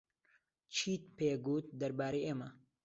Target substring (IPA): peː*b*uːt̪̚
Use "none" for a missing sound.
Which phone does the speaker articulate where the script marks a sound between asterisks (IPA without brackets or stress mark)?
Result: ɡ